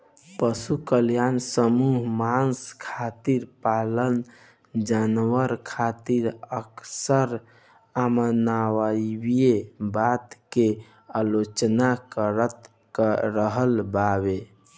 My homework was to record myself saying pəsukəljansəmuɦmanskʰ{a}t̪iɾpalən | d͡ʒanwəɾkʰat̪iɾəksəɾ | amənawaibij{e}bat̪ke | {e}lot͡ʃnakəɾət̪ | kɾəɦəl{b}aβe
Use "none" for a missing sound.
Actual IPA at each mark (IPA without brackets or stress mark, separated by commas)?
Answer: a, e, a, b